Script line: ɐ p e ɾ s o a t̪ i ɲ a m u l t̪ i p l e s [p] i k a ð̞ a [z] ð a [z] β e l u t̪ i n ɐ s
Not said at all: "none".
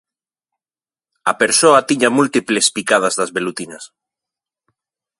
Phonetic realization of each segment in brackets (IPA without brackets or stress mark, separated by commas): p, z, z